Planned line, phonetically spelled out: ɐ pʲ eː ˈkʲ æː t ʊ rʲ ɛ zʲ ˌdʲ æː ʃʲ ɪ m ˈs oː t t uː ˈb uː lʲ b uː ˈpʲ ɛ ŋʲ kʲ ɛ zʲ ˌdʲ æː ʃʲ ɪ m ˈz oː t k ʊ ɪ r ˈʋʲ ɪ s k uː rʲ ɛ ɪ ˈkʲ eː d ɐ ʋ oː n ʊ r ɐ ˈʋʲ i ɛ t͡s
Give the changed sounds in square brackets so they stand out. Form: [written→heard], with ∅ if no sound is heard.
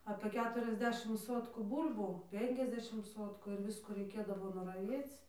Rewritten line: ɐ pʲ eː ˈkʲ æː t ʊ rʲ ɛ zʲ ˌdʲ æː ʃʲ ɪ m ˈs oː t [t→k] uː ˈb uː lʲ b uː ˈpʲ ɛ ŋʲ kʲ ɛ zʲ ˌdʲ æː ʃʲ ɪ m [ˈz→ˈs] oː t k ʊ ɪ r ˈʋʲ ɪ s k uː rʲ ɛ ɪ ˈkʲ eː d ɐ ʋ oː n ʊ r ɐ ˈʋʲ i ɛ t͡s